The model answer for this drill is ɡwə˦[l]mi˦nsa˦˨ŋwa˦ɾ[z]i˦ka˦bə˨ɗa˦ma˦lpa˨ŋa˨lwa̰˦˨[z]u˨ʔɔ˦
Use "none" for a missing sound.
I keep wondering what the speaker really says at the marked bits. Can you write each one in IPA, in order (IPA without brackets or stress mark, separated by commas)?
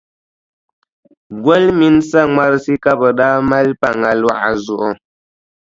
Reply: l, s, z